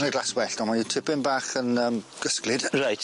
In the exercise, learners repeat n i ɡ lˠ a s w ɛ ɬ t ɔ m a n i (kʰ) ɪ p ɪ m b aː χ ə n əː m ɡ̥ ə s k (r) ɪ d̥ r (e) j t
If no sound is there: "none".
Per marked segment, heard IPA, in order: tʰ, l, a

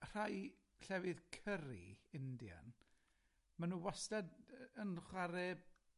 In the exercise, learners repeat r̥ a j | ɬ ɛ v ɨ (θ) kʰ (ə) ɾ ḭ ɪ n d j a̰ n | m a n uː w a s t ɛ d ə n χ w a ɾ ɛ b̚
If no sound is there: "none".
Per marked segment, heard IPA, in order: ð, ə

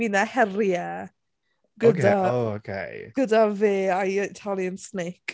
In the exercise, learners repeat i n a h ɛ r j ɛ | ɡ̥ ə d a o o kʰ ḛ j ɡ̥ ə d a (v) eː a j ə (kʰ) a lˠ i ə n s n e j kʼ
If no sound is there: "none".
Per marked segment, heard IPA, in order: v, tʰ

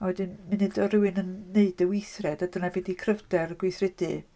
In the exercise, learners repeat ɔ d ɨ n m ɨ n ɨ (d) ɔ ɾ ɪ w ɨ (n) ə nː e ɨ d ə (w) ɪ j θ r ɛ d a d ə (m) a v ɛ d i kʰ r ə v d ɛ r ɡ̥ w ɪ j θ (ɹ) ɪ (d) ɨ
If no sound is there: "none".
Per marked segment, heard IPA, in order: d, n, w, n, r, d

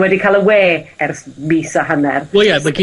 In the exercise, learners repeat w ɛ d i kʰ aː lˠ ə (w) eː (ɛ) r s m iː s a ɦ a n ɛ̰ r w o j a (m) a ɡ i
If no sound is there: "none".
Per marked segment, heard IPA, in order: w, ɛ, m

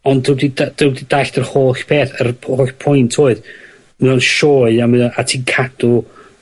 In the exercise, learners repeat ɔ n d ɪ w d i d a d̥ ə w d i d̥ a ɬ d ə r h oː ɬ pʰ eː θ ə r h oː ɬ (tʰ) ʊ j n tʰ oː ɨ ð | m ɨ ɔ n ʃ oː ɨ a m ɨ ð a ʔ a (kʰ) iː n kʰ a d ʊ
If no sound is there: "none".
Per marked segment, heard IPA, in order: pʰ, tʰ

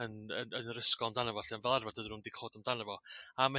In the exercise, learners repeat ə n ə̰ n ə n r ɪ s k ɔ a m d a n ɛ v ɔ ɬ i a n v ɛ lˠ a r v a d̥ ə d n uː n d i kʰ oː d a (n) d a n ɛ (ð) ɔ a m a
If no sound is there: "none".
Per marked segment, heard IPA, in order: m, v

